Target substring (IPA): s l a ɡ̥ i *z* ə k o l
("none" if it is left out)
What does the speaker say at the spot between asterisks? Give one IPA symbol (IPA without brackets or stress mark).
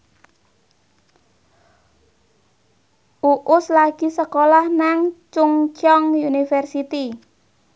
s